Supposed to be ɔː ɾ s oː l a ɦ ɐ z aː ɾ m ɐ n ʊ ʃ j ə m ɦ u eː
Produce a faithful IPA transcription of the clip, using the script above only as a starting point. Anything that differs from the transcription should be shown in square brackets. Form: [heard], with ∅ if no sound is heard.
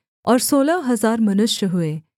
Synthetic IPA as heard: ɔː ɾ s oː l a ɦ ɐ z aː ɾ m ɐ n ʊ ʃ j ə [∅] ɦ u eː